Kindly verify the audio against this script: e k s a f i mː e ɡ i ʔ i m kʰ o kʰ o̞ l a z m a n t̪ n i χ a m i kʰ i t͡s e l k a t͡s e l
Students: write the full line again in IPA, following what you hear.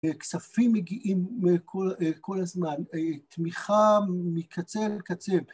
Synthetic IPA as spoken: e k s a f i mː e ɡ i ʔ i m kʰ o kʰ o̞ l a z m a n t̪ m i χ a m i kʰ a t͡s e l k a t͡s e l